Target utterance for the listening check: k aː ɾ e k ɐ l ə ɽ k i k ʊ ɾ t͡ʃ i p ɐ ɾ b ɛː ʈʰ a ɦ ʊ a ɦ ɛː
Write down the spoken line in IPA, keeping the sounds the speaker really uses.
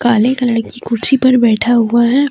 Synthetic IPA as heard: k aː l e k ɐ l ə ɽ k i k ʊ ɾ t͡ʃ i p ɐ ɾ b ɛː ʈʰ a ɦ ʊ a ɦ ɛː